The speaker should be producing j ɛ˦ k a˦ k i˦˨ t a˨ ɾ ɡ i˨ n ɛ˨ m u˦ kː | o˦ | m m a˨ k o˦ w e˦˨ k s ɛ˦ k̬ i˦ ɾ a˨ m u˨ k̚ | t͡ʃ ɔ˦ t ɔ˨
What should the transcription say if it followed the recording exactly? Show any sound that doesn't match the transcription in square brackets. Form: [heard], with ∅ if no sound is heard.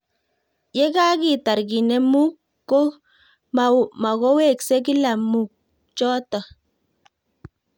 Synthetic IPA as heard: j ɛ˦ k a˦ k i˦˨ t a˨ ɾ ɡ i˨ n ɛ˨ m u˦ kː | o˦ | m m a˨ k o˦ w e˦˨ k s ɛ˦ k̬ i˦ [l] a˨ m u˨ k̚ | t͡ʃ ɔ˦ t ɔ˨